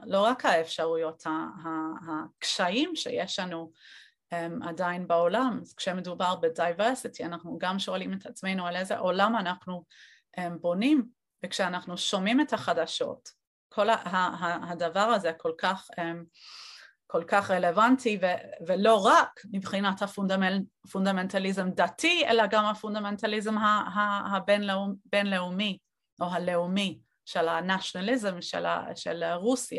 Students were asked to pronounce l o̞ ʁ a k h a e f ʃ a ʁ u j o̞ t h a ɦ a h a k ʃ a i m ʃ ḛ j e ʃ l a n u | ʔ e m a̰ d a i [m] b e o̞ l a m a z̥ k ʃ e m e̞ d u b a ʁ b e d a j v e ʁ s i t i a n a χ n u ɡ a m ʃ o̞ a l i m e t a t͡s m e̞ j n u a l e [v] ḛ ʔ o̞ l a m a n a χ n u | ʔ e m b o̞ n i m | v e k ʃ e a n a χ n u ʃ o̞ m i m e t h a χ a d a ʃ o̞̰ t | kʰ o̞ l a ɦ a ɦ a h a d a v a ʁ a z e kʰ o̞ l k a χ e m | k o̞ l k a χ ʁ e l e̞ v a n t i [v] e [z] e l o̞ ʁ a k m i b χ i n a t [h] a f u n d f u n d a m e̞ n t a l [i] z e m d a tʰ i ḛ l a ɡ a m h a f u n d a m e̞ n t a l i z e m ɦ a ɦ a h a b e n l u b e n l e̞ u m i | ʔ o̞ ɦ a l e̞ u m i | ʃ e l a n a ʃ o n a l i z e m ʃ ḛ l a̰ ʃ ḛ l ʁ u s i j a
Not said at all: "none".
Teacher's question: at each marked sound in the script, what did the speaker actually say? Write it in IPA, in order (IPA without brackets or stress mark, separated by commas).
n, z, v, v, h, i